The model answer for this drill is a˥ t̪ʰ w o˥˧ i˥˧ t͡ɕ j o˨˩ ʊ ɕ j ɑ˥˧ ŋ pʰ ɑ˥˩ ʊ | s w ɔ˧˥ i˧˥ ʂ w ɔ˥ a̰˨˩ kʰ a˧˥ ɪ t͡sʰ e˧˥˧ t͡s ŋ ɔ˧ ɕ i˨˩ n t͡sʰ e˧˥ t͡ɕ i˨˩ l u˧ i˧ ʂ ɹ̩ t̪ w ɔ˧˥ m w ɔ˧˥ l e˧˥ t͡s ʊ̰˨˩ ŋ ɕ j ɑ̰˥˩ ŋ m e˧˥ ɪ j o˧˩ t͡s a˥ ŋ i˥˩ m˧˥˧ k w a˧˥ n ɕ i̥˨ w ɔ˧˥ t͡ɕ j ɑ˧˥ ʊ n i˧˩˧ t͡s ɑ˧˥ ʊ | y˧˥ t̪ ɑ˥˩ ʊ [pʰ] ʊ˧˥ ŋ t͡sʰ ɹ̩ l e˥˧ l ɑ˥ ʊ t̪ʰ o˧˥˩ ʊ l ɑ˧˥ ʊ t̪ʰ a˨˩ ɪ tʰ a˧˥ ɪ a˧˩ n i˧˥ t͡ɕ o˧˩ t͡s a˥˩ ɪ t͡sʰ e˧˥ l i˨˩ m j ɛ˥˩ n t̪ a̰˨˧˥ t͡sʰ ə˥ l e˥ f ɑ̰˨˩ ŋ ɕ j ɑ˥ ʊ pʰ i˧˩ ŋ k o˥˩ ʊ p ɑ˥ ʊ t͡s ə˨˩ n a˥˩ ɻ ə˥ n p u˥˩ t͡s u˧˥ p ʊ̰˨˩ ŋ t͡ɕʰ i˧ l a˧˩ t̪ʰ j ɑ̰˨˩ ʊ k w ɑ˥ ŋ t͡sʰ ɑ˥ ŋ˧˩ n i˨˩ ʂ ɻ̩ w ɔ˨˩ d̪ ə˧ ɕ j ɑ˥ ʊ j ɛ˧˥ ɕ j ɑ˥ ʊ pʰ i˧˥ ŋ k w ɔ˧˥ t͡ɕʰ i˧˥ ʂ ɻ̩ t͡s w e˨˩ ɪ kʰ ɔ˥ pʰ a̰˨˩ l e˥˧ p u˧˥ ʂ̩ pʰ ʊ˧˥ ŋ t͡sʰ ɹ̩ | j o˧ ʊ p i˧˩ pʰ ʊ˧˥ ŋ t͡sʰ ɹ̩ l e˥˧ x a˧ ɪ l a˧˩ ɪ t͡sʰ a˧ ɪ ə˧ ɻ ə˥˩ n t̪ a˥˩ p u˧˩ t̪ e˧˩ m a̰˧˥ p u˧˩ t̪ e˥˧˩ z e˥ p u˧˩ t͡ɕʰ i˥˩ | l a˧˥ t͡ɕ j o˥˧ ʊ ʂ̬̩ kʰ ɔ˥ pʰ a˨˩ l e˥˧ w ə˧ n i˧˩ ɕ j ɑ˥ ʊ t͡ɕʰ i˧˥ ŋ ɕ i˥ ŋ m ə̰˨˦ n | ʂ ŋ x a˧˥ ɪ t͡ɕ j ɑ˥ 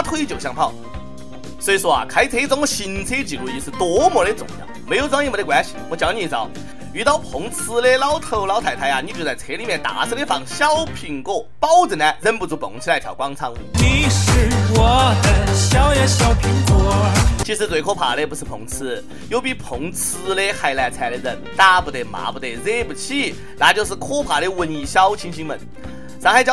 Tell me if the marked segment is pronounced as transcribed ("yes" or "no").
yes